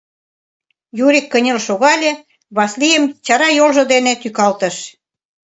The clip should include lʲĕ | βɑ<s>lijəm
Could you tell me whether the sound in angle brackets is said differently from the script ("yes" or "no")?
no